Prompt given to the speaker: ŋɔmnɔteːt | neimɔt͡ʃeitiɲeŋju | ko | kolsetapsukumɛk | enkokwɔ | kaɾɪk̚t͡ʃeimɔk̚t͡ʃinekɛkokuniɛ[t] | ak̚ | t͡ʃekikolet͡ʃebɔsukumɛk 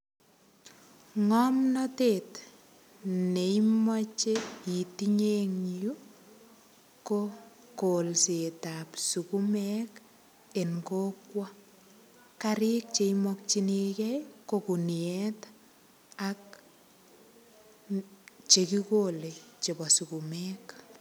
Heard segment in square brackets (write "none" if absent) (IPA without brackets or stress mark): t